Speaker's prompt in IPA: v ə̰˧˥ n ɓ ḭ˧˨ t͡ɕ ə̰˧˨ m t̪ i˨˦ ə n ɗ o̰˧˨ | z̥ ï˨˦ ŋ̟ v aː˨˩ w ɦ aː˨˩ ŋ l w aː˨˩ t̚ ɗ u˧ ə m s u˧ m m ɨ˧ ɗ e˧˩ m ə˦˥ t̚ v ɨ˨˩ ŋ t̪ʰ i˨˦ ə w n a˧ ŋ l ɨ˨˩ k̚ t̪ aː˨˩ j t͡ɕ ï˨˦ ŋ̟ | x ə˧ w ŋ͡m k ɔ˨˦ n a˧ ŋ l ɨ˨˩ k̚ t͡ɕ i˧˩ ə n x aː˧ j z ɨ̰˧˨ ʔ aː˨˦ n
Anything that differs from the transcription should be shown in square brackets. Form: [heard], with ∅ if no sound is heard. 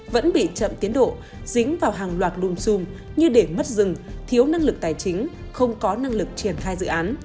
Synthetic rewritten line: v ə̰˧˥ n ɓ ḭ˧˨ t͡ɕ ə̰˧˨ m t̪ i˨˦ ə n ɗ o̰˧˨ | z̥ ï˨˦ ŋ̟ v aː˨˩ w ɦ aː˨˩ ŋ l w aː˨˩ t̚ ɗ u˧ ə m s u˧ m [ɲ] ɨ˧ ɗ e˧˩ m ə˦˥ t̚ [z] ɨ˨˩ ŋ t̪ʰ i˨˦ ə w n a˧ ŋ l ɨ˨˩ k̚ t̪ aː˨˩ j t͡ɕ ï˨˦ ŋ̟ | x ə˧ w ŋ͡m k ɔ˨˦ n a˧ ŋ l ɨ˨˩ k̚ t͡ɕ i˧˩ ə n x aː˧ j z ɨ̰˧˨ ʔ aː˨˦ n